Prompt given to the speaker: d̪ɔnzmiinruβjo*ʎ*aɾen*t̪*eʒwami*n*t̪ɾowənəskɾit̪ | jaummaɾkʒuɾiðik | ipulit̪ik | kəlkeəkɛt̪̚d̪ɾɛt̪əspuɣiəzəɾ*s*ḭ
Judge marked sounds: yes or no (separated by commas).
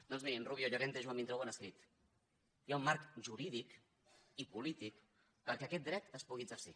yes, yes, yes, yes